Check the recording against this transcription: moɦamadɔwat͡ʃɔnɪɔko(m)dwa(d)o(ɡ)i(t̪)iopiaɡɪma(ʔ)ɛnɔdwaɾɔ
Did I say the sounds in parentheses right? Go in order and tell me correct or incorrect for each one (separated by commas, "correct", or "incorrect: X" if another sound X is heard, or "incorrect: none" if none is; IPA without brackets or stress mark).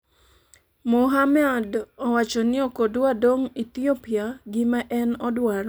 incorrect: none, correct, incorrect: ŋ, correct, correct